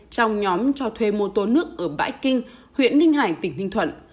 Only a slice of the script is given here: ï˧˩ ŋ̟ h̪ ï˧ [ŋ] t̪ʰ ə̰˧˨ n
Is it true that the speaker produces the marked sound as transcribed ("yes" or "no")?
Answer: yes